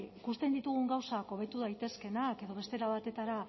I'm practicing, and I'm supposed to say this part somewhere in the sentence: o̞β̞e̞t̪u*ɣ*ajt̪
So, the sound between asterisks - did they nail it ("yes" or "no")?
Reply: no